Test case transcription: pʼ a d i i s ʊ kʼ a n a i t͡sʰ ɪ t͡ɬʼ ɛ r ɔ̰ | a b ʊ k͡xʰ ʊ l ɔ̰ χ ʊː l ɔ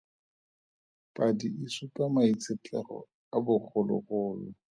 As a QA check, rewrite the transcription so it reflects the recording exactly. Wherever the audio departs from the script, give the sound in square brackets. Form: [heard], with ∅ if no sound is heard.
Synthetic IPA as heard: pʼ a d i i s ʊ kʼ a [m] a i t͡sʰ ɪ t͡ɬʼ ɛ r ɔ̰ | a b ʊ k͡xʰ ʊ l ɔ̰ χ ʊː l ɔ